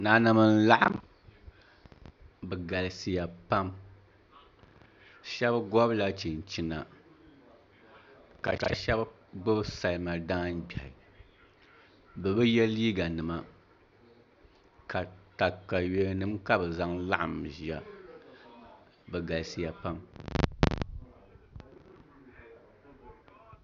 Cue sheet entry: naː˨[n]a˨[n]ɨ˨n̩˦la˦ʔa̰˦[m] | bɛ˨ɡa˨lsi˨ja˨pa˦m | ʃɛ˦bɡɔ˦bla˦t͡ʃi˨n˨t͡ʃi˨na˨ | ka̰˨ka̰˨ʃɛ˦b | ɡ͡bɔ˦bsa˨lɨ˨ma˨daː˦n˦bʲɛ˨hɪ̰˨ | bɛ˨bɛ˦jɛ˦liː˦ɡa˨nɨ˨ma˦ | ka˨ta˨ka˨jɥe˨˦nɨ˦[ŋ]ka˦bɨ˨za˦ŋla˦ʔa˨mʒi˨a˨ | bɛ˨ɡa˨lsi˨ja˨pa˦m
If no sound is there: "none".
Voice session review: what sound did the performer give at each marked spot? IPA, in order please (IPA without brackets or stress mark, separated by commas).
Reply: n, m, m, m